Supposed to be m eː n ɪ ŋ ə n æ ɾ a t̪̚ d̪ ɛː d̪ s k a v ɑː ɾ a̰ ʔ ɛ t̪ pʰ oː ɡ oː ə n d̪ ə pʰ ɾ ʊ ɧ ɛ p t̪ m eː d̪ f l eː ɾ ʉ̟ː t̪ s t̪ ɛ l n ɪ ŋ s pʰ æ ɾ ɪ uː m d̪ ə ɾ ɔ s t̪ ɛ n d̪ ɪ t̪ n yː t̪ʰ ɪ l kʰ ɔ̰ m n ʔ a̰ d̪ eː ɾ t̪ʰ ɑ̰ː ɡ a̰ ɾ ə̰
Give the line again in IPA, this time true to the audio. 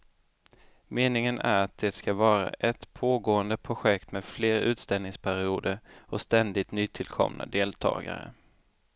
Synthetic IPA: m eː n ɪ ŋ ə n æ ɾ a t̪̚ d̪ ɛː t̪ s k a v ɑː ɾ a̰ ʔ ɛ t̪ pʰ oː ɡ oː ə n d̪ ə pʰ ɾ ʊ ɧ ɛ k t̪ m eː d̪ f l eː ɾ ʉ̟ː t̪ s t̪ ɛ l n ɪ ŋ s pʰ æ ɾ ɪ uː d̪ ə ɾ ɔ s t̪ ɛ n d̪ ɪ t̪ n yː t̪ʰ ɪ l kʰ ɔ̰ m n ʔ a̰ d̪ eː l t̪ʰ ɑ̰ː ɡ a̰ ɾ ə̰